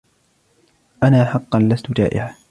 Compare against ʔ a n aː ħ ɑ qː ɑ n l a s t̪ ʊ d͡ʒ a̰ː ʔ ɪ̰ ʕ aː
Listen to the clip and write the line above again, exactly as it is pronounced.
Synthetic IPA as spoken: ʔ a n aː ħ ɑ qː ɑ n l a s t̪ ʊ d͡ʒ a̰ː ʔ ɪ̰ ʕ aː